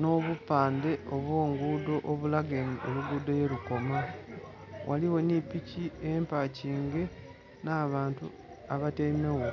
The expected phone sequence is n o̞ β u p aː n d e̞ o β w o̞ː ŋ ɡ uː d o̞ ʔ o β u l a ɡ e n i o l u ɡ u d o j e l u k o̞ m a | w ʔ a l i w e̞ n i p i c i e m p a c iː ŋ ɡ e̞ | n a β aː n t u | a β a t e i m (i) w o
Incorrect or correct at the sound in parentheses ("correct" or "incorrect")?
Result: incorrect